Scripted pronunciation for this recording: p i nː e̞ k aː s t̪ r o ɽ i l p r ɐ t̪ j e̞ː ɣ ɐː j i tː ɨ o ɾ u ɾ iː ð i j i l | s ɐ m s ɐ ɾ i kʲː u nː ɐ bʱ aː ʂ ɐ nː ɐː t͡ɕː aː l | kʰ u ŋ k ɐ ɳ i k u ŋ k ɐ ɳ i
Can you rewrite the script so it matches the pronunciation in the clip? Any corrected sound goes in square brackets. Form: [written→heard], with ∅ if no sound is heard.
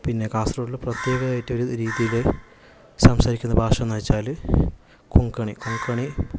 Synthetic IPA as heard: p i nː e̞ k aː s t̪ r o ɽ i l p r ɐ t̪ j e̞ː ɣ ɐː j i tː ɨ o ɾ u ɾ iː ð i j i l | s ɐ m s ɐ ɾ i kʲː u nː ɐ bʱ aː ʂ ɐ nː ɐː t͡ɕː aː l | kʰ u ŋ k ɐ ɳ i k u ŋ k ɐ ɳ i